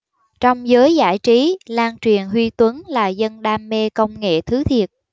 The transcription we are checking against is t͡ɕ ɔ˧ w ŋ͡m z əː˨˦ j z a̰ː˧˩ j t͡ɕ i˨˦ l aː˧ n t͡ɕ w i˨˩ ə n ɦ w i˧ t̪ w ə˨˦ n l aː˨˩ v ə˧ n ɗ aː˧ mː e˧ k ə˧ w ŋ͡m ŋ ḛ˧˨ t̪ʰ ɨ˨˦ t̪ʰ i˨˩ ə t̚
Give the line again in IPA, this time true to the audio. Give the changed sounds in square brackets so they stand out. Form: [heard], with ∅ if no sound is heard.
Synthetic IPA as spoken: t͡ɕ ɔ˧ w ŋ͡m z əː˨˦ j z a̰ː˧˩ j t͡ɕ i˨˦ l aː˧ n t͡ɕ w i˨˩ ə n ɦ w i˧ t̪ w ə˨˦ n l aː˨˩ [z] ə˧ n ɗ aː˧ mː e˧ k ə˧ w ŋ͡m ŋ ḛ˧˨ t̪ʰ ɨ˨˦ t̪ʰ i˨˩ ə t̚